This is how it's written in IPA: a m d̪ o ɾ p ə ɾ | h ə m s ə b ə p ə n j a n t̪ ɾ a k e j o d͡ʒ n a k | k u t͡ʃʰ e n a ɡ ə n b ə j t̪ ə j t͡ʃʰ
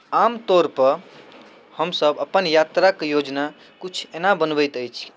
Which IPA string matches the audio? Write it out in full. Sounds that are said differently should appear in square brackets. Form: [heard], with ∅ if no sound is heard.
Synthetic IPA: a m [t̪] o ɾ p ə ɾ | h ə m s ə b ə p ə n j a [∅] t̪ ɾ a k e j o d͡ʒ n a [∅] | k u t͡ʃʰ e n a [b] ə n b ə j t̪ ə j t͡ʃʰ